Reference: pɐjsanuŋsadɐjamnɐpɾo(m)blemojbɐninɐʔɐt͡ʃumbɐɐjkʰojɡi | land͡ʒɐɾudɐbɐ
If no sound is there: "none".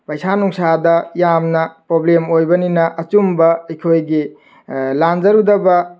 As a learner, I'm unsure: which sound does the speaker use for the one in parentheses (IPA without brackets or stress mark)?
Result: none